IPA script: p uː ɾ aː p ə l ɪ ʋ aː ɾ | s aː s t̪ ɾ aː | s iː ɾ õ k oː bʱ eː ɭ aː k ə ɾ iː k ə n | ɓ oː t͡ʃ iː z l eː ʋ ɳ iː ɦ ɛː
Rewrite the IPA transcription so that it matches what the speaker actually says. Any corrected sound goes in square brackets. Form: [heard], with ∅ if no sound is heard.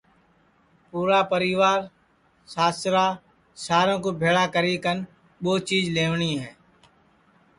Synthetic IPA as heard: p uː ɾ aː p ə [ɾ] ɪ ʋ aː ɾ | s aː s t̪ ɾ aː | s [aː] ɾ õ k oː bʱ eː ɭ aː k ə ɾ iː k ə n | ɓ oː t͡ʃ iː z l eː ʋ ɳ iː ɦ ɛː